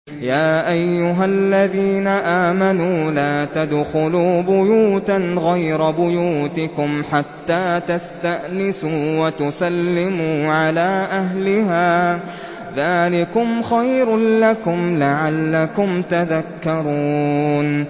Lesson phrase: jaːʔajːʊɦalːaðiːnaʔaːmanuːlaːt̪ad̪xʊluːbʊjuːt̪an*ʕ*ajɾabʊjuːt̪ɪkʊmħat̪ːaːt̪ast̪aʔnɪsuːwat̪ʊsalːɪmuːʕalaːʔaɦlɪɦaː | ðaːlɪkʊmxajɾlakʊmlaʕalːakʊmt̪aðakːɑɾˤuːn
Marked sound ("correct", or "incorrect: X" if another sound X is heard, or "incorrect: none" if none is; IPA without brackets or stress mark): incorrect: ɣ